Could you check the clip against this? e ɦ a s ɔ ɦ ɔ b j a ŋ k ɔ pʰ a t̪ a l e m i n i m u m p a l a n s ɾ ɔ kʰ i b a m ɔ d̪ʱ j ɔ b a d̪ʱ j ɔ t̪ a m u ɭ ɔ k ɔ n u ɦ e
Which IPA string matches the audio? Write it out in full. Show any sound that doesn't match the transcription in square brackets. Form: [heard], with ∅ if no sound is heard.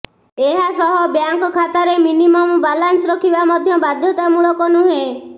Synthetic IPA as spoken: e ɦ a s ɔ ɦ ɔ b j a ŋ k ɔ [kʰ] a t̪ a [ɾ] e m i n i m [ɔ] m [b] a l a n s ɾ ɔ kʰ i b a m ɔ d̪ʱ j ɔ b a d̪ʱ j ɔ t̪ a m u ɭ ɔ k ɔ n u ɦ e

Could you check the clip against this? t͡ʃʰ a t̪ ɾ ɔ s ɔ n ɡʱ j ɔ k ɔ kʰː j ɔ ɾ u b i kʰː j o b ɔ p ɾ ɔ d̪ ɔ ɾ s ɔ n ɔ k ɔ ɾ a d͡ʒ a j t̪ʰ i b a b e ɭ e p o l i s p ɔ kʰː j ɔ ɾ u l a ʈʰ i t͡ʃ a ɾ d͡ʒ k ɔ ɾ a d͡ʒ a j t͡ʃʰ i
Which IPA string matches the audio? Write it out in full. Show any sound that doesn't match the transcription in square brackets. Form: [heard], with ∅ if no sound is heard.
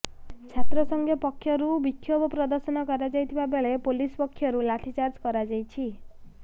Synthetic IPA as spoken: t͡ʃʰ a t̪ ɾ ɔ s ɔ [ŋ] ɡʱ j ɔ [p] ɔ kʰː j ɔ ɾ u b i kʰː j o b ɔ p ɾ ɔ d̪ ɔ ɾ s ɔ n ɔ k ɔ ɾ a d͡ʒ a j t̪ʰ i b a b e ɭ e p o l i s p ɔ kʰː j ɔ ɾ u l a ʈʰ i t͡ʃ a ɾ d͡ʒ k ɔ ɾ a d͡ʒ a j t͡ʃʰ i

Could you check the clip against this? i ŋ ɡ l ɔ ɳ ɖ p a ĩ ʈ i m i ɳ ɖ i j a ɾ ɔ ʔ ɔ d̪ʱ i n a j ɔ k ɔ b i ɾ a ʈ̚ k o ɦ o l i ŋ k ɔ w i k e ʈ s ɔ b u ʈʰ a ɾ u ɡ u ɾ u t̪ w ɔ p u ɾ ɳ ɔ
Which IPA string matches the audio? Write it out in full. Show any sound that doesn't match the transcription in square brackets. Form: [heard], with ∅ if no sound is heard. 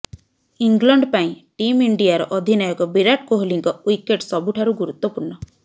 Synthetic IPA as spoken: i ŋ ɡ l ɔ ɳ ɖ p a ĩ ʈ i m i ɳ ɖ i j a ɾ ɔ ʔ ɔ d̪ʱ i n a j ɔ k ɔ b i ɾ a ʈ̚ k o ɦ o l i ŋ k ɔ w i k e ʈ s ɔ b u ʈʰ a ɾ u ɡ u ɾ u t̪ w ɔ p u ɾ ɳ ɔ

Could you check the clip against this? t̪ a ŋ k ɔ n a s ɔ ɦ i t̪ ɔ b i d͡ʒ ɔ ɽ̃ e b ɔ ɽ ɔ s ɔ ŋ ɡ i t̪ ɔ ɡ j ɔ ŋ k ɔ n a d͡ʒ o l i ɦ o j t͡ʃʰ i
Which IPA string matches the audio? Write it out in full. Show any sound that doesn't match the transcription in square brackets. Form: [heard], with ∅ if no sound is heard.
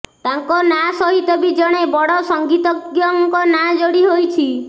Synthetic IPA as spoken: t̪ a ŋ k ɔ n a s ɔ ɦ i t̪ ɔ b i d͡ʒ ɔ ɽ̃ e b ɔ ɽ ɔ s ɔ ŋ ɡ i t̪ ɔ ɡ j ɔ ŋ k ɔ n a d͡ʒ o [ɽ] i ɦ o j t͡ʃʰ i

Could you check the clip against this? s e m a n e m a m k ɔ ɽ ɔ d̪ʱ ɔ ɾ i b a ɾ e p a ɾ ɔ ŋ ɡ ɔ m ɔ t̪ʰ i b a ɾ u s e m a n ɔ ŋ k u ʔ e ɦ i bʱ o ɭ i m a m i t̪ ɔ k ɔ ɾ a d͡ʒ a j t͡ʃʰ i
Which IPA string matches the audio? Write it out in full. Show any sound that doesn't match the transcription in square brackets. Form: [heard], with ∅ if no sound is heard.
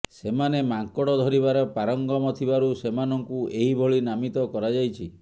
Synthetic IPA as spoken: s e m a n e m a [ŋ] k ɔ ɽ ɔ d̪ʱ ɔ ɾ i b a ɾ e p a ɾ ɔ ŋ ɡ ɔ m ɔ t̪ʰ i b a ɾ u s e m a n ɔ ŋ k u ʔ e ɦ i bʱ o ɭ i [n] a m i t̪ ɔ k ɔ ɾ a d͡ʒ a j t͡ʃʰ i

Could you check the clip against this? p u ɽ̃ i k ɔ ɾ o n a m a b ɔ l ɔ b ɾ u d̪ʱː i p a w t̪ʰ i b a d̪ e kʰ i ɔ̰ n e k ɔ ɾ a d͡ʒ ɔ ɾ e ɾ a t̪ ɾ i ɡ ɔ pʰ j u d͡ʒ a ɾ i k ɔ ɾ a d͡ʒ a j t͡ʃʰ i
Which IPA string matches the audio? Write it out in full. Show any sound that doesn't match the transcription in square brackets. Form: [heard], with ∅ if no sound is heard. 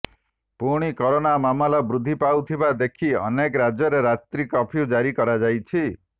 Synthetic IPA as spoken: p u ɽ̃ i k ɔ ɾ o n a m a [m] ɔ l ɔ b ɾ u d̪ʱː i p a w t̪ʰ i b a d̪ e kʰ i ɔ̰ n e k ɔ ɾ a d͡ʒ ɔ ɾ e ɾ a t̪ ɾ i [k] ɔ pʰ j u d͡ʒ a ɾ i k ɔ ɾ a d͡ʒ a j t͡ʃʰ i

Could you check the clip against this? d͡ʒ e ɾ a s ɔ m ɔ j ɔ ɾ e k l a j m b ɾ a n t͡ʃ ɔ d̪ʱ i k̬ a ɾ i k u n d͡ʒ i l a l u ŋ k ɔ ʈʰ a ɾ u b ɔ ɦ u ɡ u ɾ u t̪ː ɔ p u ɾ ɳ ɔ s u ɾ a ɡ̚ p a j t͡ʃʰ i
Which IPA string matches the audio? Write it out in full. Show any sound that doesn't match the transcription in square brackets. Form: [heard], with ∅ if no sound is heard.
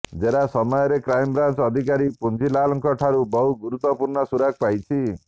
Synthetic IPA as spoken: d͡ʒ e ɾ a s ɔ m ɔ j ɔ ɾ e k [ɾ] a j m b ɾ a n t͡ʃ ɔ d̪ʱ i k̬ a ɾ i [p] u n d͡ʒ i l a l [ɔ] ŋ k ɔ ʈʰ a ɾ u b ɔ ɦ u ɡ u ɾ u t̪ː ɔ p u ɾ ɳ ɔ s u ɾ a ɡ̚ p a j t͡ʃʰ i

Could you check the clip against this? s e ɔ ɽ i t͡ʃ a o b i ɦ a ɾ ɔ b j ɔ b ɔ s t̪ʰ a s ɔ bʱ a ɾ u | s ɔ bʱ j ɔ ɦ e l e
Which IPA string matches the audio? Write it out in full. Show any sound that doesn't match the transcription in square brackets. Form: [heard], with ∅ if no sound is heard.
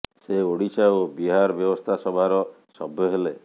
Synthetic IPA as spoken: s e [o] ɽ i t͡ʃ a o b i ɦ a ɾ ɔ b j ɔ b ɔ s t̪ʰ a s ɔ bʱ a ɾ [ɔ] | s ɔ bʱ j ɔ ɦ e l e

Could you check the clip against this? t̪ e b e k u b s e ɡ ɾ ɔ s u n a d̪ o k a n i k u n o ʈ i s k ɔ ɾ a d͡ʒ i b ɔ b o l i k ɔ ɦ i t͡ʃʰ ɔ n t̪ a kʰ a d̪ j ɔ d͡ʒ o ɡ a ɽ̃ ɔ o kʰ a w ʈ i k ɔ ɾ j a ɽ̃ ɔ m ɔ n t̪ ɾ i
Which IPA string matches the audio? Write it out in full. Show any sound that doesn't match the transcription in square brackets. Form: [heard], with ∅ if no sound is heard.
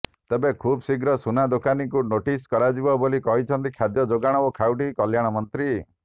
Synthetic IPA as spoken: t̪ e b e [kʰ] u b s [i] ɡ ɾ ɔ s u n a d̪ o k a n i k u n o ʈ i s k ɔ ɾ a d͡ʒ i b ɔ b o l i k ɔ ɦ i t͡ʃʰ ɔ n t̪ [i] kʰ a d̪ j ɔ d͡ʒ o ɡ a ɽ̃ ɔ o kʰ a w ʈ i k ɔ [l] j a ɽ̃ ɔ m ɔ n t̪ ɾ i

